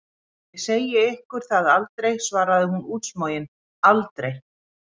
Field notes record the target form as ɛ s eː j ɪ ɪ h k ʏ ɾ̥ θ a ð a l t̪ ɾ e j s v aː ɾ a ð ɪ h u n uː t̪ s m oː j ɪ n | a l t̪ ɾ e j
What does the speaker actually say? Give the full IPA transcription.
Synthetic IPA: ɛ s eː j ɪ ɪ h k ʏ ɾ̥ θ a ð a l t̪ ɾ e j s v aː ɾ a ð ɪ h u n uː t̪ s m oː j ɪ n | a l t̪ ɾ e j